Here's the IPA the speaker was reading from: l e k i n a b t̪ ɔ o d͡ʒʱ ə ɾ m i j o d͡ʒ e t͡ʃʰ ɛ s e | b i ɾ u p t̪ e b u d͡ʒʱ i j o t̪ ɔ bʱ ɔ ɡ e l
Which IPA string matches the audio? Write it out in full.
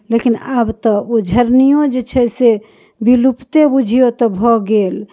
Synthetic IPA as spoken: l e k i n a b t̪ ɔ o d͡ʒʱ ə ɾ n i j o d͡ʒ e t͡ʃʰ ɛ s e | b i l u p t̪ e b u d͡ʒʱ i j o t̪ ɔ bʱ ɔ ɡ e l